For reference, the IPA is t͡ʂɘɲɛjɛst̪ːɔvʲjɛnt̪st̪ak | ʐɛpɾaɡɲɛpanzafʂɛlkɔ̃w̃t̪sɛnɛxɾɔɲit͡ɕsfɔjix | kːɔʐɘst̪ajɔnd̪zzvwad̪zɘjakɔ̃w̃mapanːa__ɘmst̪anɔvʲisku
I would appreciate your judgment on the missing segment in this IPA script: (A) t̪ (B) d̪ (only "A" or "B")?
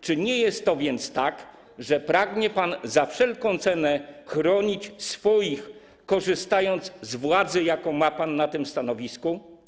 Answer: A